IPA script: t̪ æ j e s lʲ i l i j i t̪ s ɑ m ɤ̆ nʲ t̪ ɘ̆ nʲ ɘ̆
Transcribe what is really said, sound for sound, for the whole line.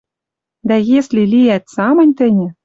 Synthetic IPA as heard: d̪ æ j e s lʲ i l i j æ t̪ s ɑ m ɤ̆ nʲ t̪ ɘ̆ nʲ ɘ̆

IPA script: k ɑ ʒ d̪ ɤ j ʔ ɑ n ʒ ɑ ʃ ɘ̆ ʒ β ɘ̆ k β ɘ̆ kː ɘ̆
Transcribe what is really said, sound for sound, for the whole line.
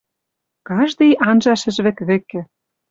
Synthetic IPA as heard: k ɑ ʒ d̪ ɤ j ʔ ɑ n ʒ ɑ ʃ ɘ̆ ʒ β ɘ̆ k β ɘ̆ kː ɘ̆

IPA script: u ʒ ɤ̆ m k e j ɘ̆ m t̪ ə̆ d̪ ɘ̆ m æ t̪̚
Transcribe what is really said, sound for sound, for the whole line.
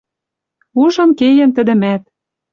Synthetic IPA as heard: u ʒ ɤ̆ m k e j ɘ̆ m t̪ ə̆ d̪ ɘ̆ m æ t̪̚

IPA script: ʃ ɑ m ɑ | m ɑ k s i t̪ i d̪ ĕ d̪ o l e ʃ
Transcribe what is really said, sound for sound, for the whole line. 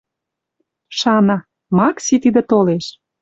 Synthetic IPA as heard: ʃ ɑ n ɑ | m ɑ k s i t̪ i d̪ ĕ t̪ o l e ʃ

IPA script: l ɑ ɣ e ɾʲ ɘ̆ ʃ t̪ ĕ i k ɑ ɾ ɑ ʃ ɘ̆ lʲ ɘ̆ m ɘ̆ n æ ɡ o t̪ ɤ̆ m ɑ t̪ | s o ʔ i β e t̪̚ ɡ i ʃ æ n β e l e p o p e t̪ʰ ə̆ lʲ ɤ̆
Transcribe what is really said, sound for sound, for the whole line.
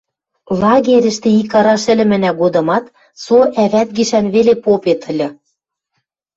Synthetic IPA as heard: l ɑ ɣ e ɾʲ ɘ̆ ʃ t̪ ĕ i k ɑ ɾ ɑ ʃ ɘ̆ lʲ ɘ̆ m ɘ̆ n æ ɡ o d̪ ɤ̆ m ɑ t̪ | s o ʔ æ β æ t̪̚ ɡ i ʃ æ n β e l e p o p e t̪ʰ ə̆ lʲ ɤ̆

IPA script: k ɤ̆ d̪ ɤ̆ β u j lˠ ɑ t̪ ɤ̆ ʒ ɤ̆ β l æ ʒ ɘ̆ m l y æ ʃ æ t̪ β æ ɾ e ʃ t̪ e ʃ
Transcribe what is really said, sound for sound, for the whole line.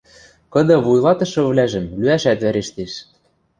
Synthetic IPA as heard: k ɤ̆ d̪ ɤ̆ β u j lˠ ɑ t̪ ɤ̆ ʃ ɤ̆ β l æ ʒ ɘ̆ m l y æ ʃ æ t̪ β æ ɾ e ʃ t̪ e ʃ

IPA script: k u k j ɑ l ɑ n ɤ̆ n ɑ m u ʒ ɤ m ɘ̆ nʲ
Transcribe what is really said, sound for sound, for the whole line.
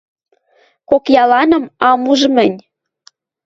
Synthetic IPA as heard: k o k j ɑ l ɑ n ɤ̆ m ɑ m u ʒ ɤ m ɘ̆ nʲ

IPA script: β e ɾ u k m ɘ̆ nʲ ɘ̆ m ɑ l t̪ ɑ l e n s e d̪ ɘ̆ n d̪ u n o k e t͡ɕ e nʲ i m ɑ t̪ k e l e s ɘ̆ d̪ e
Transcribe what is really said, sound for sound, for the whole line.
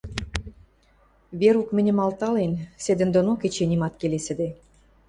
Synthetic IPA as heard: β e ɾ u k m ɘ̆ nʲ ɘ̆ m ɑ l t̪ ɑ l e n s e d̪ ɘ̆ n d̪ o n o k e t͡ɕ e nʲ i m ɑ t̪ k e l e s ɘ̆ d̪ e

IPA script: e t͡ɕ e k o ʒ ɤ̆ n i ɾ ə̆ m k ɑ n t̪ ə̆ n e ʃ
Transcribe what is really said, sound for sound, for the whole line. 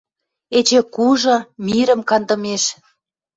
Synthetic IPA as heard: e t͡ɕ e k u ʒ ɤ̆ m i ɾ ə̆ m k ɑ n d̪ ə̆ m e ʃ

